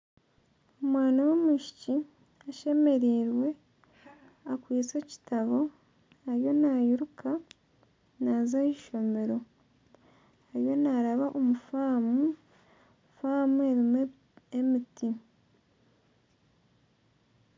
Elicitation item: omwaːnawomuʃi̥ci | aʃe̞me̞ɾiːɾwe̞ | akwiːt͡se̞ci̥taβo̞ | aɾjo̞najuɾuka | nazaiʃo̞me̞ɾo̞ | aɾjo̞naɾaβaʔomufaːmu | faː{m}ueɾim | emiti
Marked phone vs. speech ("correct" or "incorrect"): correct